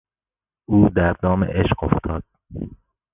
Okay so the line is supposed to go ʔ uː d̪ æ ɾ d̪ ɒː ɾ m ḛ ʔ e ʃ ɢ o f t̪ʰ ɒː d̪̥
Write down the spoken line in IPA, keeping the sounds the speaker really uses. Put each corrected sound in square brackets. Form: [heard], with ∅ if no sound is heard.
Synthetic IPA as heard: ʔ uː d̪ æ ɾ d̪ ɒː [∅] m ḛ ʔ e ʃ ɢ o f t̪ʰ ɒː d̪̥